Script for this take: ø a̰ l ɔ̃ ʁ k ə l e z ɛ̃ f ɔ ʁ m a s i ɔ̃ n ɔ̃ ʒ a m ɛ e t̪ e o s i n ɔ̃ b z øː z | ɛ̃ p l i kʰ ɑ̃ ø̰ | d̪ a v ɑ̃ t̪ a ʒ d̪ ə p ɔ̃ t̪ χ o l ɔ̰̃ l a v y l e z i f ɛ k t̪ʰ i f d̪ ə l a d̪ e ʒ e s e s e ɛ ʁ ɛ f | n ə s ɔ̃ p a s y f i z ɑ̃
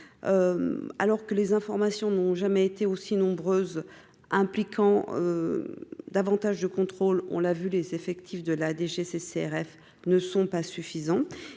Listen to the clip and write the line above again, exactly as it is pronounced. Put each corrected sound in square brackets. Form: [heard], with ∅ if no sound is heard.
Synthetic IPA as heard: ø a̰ l [ɔ] ʁ k ə l e z ɛ̃ f ɔ ʁ m a s [j] ɔ̃ n ɔ̃ ʒ a m ɛ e t̪ e o s i n ɔ̃ b [ʁ] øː z | ɛ̃ p l i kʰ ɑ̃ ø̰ | d̪ a v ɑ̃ t̪ a ʒ d̪ ə [k] ɔ̃ t̪ χ o l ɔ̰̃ l a v y l e z [e] f ɛ k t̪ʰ i f d̪ ə l a d̪ e ʒ e s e s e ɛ ʁ ɛ f | n ə s ɔ̃ p a s y f i z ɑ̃